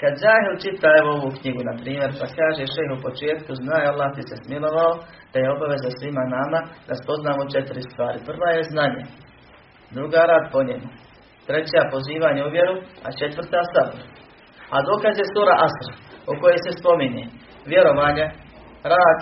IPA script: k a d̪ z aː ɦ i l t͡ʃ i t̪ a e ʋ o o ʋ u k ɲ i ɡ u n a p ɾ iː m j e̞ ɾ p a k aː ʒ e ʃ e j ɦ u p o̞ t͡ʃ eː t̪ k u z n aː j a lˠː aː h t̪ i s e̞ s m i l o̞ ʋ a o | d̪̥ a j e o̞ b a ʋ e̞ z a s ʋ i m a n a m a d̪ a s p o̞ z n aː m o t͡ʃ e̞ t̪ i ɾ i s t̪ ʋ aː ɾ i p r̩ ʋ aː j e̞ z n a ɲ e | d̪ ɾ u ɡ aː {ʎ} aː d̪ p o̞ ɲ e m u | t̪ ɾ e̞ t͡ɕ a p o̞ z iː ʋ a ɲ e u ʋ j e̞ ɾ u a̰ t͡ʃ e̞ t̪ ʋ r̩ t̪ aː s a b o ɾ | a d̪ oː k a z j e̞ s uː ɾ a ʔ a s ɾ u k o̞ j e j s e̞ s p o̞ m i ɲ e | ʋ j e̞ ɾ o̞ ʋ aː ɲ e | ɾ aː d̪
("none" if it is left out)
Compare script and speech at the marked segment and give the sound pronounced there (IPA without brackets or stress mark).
ɾ